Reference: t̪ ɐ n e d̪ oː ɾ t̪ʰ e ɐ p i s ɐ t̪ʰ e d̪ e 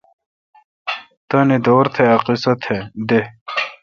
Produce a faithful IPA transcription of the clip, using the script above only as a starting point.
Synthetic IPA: t̪ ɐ n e d̪ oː ɾ t̪ʰ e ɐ q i s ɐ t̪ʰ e d̪ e